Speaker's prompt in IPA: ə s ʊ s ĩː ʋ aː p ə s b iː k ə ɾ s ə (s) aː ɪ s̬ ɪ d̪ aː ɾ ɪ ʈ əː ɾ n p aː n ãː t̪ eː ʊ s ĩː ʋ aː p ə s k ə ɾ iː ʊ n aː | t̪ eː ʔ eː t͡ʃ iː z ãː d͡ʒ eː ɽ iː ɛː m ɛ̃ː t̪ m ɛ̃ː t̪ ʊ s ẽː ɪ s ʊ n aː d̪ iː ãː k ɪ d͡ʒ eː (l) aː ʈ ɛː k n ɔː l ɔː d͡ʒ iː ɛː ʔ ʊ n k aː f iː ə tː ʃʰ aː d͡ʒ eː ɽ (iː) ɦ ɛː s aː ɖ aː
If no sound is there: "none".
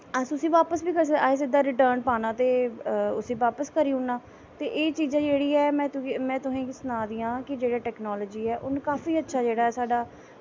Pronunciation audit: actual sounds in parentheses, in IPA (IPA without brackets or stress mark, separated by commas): none, ɽ, aː